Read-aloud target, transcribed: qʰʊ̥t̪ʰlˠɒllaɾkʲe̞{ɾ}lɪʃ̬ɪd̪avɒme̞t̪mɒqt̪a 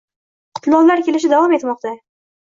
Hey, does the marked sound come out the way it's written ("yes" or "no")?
no